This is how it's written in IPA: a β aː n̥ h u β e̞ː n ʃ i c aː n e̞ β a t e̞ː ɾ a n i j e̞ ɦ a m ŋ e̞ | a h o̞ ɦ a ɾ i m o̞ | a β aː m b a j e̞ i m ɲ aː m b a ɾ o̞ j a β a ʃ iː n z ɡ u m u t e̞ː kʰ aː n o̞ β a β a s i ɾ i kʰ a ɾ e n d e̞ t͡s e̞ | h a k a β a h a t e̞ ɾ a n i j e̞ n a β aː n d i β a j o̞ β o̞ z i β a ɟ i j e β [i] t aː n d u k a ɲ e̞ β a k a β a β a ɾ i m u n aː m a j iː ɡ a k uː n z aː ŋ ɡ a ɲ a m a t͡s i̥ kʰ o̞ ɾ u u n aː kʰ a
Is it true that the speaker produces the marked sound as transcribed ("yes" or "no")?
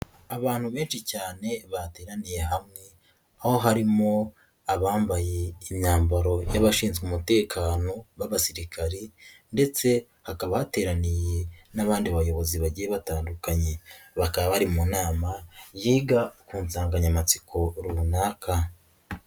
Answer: no